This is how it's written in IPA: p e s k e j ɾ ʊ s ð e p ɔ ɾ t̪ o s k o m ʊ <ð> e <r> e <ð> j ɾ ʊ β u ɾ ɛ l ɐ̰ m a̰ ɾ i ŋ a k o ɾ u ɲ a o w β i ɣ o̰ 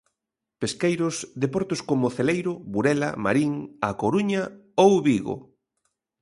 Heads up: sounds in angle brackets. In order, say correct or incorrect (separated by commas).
incorrect, incorrect, incorrect